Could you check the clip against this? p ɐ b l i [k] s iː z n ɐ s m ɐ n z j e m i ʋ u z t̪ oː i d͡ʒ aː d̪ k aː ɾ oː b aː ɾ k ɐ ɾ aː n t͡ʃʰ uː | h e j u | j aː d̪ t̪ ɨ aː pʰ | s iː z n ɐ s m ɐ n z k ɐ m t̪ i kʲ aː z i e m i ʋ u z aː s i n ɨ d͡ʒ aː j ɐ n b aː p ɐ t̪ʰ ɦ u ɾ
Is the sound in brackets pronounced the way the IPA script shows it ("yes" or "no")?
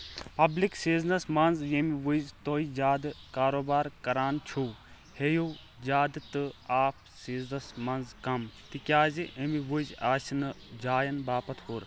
yes